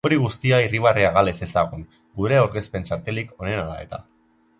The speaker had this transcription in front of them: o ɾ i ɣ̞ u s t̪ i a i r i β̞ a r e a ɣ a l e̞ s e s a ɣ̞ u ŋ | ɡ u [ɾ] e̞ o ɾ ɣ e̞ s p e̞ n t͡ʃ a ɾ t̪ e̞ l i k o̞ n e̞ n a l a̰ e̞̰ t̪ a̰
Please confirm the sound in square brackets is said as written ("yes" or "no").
yes